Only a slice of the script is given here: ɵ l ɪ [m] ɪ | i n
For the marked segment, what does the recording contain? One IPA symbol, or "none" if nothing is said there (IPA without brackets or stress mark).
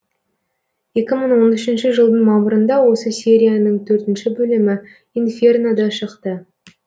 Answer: m